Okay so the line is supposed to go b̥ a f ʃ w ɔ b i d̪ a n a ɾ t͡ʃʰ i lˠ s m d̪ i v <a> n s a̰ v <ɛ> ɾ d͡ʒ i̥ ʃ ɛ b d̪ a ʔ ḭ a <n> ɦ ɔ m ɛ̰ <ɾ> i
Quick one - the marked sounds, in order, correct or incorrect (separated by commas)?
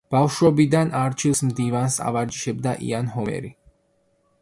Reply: correct, incorrect, correct, correct